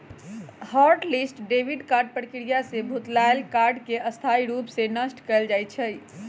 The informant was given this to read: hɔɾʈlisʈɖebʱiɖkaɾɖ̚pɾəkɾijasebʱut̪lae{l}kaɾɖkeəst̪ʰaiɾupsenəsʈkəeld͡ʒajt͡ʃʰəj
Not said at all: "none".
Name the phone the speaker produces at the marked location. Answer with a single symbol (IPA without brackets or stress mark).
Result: l